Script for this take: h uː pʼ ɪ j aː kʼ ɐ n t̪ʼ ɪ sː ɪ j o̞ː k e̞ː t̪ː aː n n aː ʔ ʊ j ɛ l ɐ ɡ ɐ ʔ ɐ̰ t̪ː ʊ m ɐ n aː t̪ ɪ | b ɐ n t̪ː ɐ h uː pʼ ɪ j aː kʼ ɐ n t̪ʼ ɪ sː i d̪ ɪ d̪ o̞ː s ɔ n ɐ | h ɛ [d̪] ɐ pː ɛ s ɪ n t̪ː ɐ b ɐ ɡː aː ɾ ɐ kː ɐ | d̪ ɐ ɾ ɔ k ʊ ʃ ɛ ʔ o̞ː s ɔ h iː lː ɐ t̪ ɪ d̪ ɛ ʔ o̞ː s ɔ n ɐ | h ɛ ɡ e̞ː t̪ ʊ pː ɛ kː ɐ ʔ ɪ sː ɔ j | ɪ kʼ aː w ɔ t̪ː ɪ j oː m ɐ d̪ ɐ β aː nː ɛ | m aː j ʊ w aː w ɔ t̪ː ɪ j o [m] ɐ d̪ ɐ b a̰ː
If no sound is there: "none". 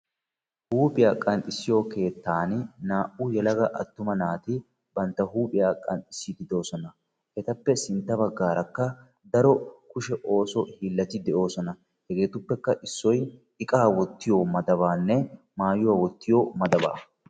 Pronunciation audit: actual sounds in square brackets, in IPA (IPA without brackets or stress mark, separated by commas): t̪, m